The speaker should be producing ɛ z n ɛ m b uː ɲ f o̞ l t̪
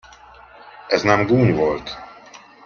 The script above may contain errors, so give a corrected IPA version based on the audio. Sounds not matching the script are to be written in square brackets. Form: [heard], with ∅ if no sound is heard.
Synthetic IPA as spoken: ɛ z n ɛ m [ɡ] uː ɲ [v] o̞ l t̪